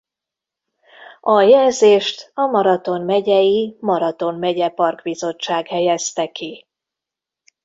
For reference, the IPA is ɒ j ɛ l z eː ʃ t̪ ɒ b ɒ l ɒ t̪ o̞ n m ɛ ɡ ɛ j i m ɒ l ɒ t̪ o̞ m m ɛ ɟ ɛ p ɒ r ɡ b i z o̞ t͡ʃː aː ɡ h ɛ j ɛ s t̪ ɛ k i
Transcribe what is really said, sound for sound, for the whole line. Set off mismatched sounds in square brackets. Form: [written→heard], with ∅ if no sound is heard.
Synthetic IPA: ɒ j ɛ l z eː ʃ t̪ ɒ [b→m] ɒ [l→ɾ] ɒ t̪ o̞ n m ɛ [ɡ→ɟ] ɛ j i m ɒ [l→ɾ] ɒ t̪ o̞ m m ɛ ɟ ɛ p ɒ r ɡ b i z o̞ t͡ʃː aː ɡ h ɛ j ɛ s t̪ ɛ k i